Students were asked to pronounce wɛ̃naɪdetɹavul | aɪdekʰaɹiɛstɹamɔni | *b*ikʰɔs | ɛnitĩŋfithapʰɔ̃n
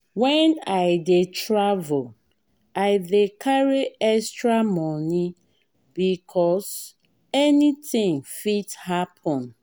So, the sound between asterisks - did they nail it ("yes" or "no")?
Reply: yes